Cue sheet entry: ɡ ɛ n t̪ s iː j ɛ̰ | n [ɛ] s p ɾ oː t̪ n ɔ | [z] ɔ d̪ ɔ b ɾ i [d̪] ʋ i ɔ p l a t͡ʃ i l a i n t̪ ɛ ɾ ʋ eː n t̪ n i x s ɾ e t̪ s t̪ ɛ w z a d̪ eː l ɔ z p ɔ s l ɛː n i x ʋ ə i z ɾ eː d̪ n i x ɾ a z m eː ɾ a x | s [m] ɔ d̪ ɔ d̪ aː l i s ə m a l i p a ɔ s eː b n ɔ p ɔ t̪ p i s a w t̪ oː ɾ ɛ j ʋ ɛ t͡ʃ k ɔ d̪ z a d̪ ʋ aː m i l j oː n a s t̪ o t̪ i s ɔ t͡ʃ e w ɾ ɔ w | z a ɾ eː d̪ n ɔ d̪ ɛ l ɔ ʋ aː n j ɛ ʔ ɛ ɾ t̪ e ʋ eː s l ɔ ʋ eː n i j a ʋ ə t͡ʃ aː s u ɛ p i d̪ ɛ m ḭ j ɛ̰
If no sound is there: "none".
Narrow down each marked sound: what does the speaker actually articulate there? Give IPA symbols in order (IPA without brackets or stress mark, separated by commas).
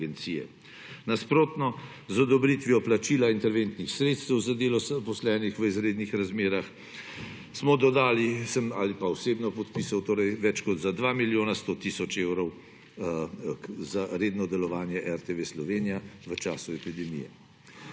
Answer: a, z, t̪, m